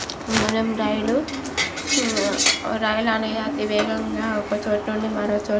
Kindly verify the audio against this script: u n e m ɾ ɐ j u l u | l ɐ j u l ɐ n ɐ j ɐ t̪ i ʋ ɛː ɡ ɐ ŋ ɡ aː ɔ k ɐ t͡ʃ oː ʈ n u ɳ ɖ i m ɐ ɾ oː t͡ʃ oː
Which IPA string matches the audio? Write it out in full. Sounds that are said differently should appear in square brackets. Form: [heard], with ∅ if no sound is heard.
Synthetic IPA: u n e m ɾ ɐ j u l u | [ɾ] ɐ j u l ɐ n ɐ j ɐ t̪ i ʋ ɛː ɡ ɐ ŋ ɡ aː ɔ k ɐ t͡ʃ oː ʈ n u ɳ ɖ i m ɐ ɾ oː t͡ʃ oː

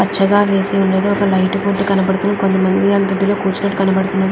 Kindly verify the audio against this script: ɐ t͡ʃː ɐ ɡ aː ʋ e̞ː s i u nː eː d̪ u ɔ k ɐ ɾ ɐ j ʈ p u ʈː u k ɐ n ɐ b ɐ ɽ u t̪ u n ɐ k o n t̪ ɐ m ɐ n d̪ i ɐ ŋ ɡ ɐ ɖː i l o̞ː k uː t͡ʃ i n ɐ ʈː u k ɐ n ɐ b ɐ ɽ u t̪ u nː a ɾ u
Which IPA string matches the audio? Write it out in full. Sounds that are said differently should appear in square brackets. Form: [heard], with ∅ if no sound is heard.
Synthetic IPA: ɐ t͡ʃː ɐ ɡ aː ʋ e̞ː s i u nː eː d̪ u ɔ k ɐ [l] ɐ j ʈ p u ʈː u k ɐ n ɐ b ɐ ɽ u t̪ u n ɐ k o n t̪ ɐ m ɐ n d̪ i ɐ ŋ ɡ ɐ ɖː i l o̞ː k uː t͡ʃ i n ɐ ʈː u k ɐ n ɐ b ɐ ɽ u t̪ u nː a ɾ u

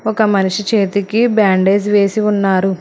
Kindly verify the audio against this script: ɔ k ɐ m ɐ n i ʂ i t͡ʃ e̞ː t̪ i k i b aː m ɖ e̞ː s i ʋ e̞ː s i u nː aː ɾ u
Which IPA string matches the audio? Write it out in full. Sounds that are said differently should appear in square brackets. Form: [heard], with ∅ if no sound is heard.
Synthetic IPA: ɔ k ɐ m ɐ n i ʂ i t͡ʃ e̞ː t̪ i k i b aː [ɳ] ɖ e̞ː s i ʋ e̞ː s i u nː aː ɾ u

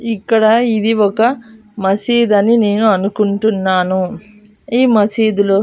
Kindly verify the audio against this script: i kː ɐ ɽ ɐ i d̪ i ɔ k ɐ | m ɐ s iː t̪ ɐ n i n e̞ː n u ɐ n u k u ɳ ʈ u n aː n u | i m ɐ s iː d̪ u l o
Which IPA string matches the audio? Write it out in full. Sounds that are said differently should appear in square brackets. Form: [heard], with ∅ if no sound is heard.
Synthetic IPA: i kː ɐ ɽ ɐ i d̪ i ɔ k ɐ | m ɐ s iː [d̪] ɐ n i n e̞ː n u ɐ n u k u ɳ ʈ u [nː] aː n u | [iː] m ɐ s iː d̪ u l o

